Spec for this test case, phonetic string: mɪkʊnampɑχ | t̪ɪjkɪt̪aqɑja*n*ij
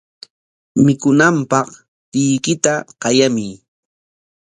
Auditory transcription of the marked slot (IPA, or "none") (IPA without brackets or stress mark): m